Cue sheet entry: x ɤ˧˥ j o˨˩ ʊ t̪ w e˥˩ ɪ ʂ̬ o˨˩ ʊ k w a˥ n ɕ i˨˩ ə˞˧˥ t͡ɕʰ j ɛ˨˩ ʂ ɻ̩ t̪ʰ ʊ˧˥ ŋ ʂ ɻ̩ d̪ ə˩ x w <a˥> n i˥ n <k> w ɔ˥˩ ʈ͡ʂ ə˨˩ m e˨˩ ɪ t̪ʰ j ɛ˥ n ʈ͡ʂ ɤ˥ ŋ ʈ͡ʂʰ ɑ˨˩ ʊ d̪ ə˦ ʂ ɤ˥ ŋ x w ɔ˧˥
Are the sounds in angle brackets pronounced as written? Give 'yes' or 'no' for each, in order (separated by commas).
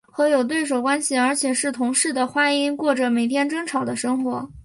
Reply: yes, yes